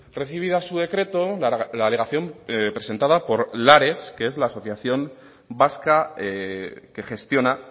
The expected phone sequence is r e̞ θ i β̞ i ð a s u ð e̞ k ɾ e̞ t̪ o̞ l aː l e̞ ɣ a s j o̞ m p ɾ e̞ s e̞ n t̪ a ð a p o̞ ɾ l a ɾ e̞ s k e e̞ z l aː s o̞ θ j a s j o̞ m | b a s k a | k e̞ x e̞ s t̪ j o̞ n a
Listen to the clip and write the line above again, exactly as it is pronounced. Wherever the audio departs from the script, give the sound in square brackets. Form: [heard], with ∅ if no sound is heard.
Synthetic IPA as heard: r e̞ θ i β̞ i ð a s u ð e̞ k ɾ e̞ t̪ o̞ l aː l e̞ ɣ a [θ] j o̞ m p ɾ e̞ s e̞ n t̪ a ð a p o̞ ɾ l a ɾ e̞ s k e e̞ z l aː s o̞ θ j a [θ] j o̞ m | b a s k a | k e̞ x e̞ s t̪ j o̞ n a